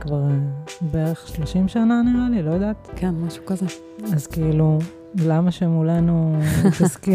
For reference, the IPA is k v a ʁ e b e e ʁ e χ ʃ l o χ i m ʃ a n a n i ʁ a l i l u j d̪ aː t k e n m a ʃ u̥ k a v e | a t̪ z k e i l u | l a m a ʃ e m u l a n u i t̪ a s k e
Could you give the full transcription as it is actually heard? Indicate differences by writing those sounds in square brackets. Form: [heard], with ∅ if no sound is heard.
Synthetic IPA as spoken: k v a ʁ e b e e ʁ e χ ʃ l o [ʃ] i m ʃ a n a n i ʁ a l i l [o] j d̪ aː t k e n m a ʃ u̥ k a [z] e | a [∅] z k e i l u | l a m a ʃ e m u l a n u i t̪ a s k [i]